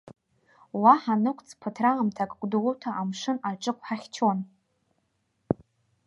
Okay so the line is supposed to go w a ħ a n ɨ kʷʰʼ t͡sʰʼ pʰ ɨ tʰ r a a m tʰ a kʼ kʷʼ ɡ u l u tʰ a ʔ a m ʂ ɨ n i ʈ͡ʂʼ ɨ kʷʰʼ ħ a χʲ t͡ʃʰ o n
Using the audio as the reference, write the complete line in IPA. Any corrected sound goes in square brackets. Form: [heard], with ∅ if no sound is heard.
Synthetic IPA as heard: w a ħ a n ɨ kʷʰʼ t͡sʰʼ pʰ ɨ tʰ r a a m tʰ a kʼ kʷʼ [d] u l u tʰ a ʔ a m ʂ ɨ n [a] ʈ͡ʂʼ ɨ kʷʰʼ ħ a χʲ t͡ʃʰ o n